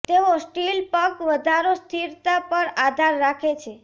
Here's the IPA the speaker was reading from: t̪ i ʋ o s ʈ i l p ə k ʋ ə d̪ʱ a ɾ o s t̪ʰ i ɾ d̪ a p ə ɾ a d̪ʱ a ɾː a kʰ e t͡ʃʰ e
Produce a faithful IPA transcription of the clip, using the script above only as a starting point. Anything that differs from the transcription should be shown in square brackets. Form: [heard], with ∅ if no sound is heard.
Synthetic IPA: t̪ [e] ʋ o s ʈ i l p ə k ʋ ə d̪ʱ a ɾ o s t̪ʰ i ɾ [t̪] a p ə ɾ a d̪ʱ a ɾː a kʰ e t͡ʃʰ e